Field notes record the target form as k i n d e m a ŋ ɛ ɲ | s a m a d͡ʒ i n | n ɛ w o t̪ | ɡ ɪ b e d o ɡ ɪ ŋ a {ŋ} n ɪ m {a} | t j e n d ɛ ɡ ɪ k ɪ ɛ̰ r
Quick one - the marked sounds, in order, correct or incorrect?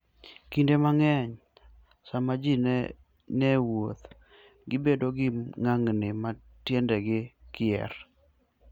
correct, correct

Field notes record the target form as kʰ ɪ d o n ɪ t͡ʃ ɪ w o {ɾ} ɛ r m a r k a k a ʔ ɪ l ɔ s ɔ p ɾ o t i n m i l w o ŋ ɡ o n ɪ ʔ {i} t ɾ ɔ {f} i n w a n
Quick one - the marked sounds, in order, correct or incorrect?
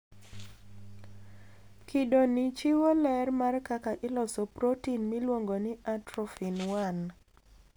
incorrect: l, incorrect: a, correct

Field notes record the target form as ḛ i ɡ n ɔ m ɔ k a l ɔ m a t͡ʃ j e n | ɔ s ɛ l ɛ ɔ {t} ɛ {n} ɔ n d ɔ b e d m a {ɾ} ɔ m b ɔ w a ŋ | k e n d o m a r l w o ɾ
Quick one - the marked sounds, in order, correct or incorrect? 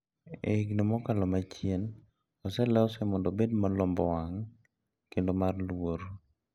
incorrect: s, incorrect: m, incorrect: l

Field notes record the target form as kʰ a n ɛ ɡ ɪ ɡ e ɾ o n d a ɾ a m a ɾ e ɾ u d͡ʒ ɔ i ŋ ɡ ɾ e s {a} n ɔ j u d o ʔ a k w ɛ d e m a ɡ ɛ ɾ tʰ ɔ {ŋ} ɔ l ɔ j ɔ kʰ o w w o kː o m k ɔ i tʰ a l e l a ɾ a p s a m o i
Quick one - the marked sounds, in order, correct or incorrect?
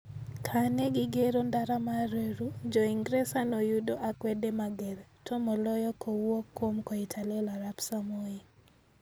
correct, incorrect: m

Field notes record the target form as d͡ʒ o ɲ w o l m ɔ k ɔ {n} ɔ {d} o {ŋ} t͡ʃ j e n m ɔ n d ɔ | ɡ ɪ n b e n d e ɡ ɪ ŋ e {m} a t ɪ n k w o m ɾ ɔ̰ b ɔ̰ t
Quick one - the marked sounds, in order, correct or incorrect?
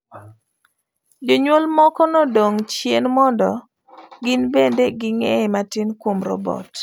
correct, correct, correct, correct

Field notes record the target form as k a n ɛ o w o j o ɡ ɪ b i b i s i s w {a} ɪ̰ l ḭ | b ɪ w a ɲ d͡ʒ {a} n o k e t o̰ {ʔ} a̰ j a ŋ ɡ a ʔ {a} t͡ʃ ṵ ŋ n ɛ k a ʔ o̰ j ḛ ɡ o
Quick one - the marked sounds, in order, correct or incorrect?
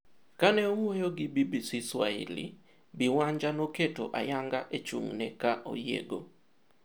correct, correct, correct, incorrect: e

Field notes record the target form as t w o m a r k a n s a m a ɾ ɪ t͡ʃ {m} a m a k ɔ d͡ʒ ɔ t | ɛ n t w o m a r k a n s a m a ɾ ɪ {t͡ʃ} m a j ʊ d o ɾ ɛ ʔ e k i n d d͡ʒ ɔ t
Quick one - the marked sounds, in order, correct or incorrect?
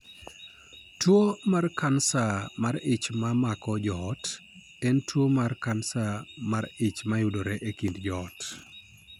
correct, correct

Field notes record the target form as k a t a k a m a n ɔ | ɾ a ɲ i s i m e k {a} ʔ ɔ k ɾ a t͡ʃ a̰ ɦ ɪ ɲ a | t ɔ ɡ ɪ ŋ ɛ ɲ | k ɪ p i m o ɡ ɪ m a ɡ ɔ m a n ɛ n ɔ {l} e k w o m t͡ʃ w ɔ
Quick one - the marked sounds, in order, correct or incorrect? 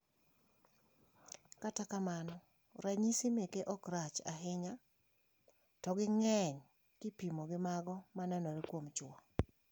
incorrect: e, incorrect: ɾ

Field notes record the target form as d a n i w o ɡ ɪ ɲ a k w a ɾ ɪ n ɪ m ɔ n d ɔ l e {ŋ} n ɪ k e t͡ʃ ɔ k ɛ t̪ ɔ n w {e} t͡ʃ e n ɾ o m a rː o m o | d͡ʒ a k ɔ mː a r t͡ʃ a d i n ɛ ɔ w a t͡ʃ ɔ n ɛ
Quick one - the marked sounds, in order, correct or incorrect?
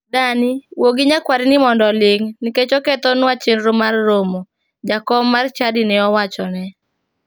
correct, incorrect: a

